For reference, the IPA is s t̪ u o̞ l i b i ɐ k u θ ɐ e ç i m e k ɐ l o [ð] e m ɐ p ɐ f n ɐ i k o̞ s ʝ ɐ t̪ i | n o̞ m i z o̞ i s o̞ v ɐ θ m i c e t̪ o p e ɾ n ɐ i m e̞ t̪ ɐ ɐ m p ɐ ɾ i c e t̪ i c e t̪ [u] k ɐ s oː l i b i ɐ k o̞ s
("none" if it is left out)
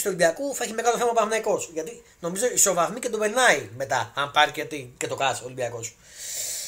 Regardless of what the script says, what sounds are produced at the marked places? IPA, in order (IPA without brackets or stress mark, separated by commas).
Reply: θ, o